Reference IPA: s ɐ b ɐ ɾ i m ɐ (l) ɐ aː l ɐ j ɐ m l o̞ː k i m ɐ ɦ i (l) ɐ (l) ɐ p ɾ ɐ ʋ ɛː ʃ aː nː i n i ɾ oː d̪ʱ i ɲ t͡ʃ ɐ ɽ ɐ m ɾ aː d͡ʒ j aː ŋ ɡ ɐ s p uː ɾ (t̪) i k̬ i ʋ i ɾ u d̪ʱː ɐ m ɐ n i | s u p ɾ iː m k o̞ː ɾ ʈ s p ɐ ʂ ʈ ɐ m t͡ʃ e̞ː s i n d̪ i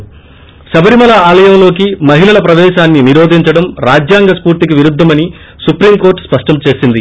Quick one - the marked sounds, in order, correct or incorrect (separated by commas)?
correct, correct, correct, correct